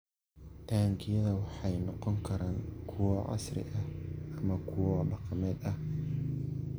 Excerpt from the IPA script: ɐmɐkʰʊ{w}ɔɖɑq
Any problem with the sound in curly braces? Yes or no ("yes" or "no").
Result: no